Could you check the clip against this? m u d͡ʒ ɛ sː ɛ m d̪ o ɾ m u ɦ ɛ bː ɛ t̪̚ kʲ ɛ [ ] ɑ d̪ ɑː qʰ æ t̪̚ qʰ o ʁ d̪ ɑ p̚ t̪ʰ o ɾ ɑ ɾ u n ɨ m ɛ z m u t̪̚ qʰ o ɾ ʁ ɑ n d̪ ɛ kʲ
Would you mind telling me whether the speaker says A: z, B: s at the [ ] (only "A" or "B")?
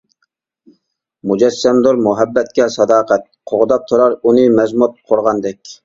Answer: B